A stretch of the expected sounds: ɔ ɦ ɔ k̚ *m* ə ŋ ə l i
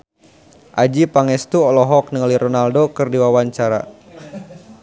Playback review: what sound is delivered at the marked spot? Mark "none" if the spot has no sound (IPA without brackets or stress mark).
n